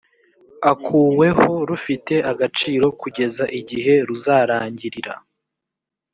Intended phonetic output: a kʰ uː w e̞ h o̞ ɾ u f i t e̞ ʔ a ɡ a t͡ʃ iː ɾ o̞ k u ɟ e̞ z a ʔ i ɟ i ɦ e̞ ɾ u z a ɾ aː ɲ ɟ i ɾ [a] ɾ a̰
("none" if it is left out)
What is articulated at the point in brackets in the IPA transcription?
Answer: i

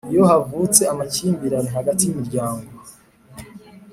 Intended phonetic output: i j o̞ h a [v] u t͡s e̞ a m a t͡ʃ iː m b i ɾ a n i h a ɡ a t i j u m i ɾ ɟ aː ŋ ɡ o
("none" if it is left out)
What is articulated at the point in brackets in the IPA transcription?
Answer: v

